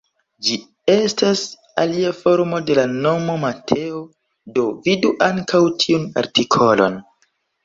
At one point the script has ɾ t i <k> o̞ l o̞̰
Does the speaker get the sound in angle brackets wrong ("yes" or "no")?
yes